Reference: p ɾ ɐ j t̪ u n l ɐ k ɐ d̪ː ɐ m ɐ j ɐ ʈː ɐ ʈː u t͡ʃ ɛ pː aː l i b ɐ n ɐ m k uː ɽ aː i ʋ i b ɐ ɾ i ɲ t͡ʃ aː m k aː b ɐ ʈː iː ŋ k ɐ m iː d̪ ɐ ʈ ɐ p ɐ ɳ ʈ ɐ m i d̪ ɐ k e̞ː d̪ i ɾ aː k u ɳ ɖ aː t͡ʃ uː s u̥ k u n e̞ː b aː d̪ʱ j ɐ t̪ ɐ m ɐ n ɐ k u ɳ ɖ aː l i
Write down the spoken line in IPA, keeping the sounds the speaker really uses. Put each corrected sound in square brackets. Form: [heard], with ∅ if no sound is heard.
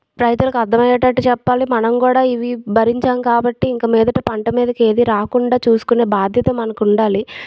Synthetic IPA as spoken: p ɾ ɐ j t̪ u [∅] l ɐ k ɐ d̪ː ɐ m ɐ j ɐ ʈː ɐ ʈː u t͡ʃ ɛ pː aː l i [m] ɐ n ɐ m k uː ɽ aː i ʋ i b ɐ ɾ i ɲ t͡ʃ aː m k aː b ɐ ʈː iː ŋ k ɐ m iː d̪ ɐ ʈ ɐ p ɐ ɳ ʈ ɐ m [iː] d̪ ɐ k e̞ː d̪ i ɾ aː k u ɳ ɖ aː t͡ʃ uː s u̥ k u n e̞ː b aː d̪ʱ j ɐ t̪ ɐ m ɐ n ɐ k u ɳ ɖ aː l i